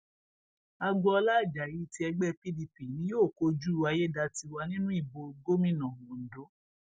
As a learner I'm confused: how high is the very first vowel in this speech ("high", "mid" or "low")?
low